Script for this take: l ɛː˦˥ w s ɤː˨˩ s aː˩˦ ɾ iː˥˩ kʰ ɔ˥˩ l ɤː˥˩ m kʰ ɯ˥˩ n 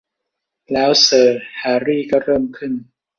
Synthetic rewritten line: l ɛː˦˥ w s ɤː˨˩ h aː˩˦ ɾ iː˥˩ k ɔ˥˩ ɾ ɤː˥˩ m kʰ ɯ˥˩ n